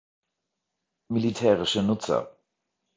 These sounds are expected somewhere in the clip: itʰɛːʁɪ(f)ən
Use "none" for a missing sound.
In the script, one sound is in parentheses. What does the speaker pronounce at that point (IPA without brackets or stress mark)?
ʃ